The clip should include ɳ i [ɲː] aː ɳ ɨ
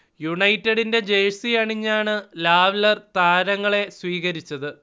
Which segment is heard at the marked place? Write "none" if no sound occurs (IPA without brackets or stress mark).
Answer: ɲː